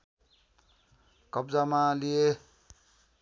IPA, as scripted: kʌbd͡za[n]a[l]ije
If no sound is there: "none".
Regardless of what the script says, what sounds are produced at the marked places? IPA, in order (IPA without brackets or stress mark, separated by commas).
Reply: m, l